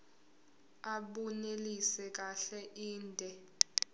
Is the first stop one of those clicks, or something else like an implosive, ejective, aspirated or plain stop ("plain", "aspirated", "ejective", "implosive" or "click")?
implosive